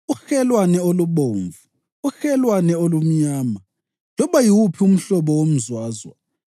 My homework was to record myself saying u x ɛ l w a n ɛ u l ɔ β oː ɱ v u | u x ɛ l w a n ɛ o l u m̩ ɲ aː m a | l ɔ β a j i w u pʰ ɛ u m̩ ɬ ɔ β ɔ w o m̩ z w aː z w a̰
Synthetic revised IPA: u x ɛ l w a n ɛ o l u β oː ɱ v u | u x ɛ l w a n ɛ o l u m̩ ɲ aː m a | l ɔ β a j i w u pʰ i u m̩ ɬ ɔ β ɔ w o m̩ z w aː z w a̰

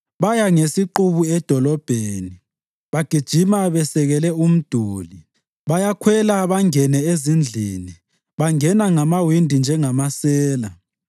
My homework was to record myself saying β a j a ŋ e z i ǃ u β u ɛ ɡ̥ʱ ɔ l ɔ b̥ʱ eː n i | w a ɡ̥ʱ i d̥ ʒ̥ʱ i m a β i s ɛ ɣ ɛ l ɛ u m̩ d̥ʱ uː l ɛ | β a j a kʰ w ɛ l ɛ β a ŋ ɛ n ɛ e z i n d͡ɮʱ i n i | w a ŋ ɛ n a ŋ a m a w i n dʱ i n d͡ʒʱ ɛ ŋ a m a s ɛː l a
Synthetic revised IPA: β a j a ŋ e s i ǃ u β u ɛ d̥ʱ ɔ l ɔ b̥ʱ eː n i | β a ɡ̥ʱ i d̥ ʒ̥ʱ i m a β ɛ s ɛ ɣ ɛ l ɛ u m̩ d̥ʱ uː l i | β a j a kʰ w ɛ l a β a ŋ ɛ n ɛ e z i n d͡ɮʱ i n i | β a ŋ ɛ n a ŋ a m a w i n dʱ i n d͡ʒʱ ɛ ŋ a m a s ɛː l a

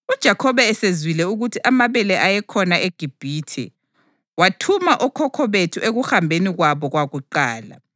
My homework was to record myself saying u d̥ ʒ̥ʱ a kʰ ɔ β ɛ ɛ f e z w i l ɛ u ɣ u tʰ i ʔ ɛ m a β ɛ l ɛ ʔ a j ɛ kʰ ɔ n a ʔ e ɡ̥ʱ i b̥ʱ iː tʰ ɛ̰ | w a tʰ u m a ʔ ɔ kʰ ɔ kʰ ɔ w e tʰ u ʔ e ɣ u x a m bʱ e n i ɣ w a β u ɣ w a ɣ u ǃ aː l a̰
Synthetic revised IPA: u d̥ ʒ̥ʱ a kʰ ɔ β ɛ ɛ s e z w i l ɛ u ɣ u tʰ i ʔ a m a β ɛ l ɛ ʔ a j ɛ kʰ ɔ n a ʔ e ɡ̥ʱ i b̥ʱ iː tʰ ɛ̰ | w a tʰ u m a ʔ ɔ kʰ ɔ kʰ ɔ β e tʰ u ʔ e ɣ u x a m bʱ e n i ɣ w a β ɔ ɣ w a ɣ u ǃ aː l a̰

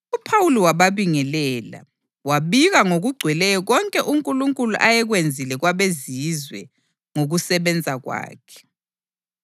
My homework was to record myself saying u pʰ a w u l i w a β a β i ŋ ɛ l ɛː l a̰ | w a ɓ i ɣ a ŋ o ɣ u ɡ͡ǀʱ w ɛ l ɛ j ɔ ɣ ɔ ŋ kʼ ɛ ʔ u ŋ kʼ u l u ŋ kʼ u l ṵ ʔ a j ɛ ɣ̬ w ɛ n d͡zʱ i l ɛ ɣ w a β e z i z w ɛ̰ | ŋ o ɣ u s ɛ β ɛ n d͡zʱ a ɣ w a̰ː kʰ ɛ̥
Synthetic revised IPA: u pʰ a w u l i w a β a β i ŋ ɛ l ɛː l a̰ | w a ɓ i ɣ a ŋ o ɣ u ɡ͡ǀʱ w ɛ l ɛ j ɔ ɣ ɔ ŋ kʼ ɛ ʔ u ŋ kʼ u l u ŋ kʼ u l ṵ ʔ a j ɛ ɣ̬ w e n d͡zʱ i l ɛ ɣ w a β e z i z w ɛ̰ | ŋ o ɣ u s ɛ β ɛ n d͡zʱ a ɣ w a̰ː kʰ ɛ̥

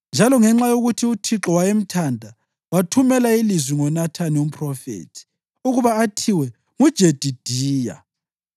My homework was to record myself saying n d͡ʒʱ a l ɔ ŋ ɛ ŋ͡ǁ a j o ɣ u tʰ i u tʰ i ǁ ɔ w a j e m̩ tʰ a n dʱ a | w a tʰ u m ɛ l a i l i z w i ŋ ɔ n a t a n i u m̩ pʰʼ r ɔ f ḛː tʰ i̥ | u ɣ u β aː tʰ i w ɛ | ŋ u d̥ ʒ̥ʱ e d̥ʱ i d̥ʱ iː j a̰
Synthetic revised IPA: n d͡ʒʱ a l ɔ ŋ ɛ ŋ͡ǁ a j o ɣ u tʰ i u tʰ i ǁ ɔ w a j e m̩ tʰ a n dʱ a | w a tʰ u m ɛ l a i l i z w i ŋ ɔ n a tʰ a n i u m̩ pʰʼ r ɔ f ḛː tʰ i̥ | u ɣ u β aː tʰ i w ɛ | ŋ u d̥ ʒ̥ʱ e d̥ʱ i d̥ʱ iː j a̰

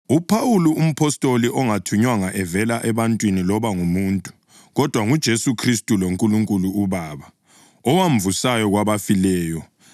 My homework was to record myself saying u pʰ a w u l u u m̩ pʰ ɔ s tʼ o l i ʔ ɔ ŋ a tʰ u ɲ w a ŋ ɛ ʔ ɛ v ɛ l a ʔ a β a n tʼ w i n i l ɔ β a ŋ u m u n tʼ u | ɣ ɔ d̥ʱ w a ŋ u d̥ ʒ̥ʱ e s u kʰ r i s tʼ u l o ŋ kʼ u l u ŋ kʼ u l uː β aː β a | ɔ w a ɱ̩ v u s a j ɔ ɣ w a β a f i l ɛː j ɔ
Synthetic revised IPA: u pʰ a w u l u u m̩ pʰ ɔ s tʼ o l i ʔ ɔ ŋ a tʰ u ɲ w a ŋ a ʔ ɛ v ɛ l a ʔ ɛ β a n tʼ w i n i l ɔ β a ŋ u m u n tʼ u | ɣ ɔ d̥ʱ w a ŋ u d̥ ʒ̥ʱ e s u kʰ r i s tʼ u l o ŋ kʼ u l u ŋ kʼ u l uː β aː β a | ɔ w a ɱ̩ v u s a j ɔ ɣ w a β a f i l ɛː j ɔ

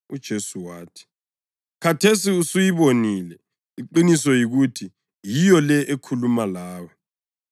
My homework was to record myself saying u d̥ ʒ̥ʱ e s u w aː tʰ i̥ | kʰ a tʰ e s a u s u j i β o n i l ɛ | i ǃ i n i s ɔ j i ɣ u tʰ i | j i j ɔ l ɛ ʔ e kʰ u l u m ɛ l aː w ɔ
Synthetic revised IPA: u d̥ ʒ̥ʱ e s u w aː tʰ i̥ | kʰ a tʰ e s i u s u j i β o n i l ɛ | i ǃ i n i s ɔ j i ɣ u tʰ i | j i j ɔ l ɛ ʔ e kʰ u l u m a l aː w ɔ

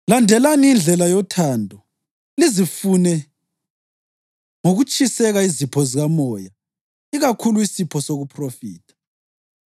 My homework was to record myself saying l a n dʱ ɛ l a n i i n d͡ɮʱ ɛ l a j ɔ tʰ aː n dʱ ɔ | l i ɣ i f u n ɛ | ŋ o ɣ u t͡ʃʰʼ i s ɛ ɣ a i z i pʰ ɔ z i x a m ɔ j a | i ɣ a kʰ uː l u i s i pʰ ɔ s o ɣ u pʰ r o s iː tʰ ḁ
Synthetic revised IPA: l a n dʱ ɛ l a n i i n d͡ɮʱ ɛ l a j ɔ tʰ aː n dʱ ɔ | l i z i f u n ɛ | ŋ o ɣ u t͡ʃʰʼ i s ɛ ɣ a i z i pʰ ɔ z i ɣ a m ɔ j a | i ɣ a kʰ u l u i s i pʰ ɔ s o ɣ u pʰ r o f iː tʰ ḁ

